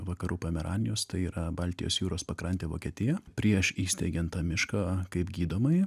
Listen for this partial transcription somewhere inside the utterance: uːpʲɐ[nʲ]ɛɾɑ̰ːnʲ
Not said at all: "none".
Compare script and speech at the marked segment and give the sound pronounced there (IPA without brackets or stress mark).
mʲ